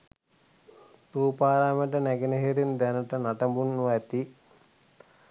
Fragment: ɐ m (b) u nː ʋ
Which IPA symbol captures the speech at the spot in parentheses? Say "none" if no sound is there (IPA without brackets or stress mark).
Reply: b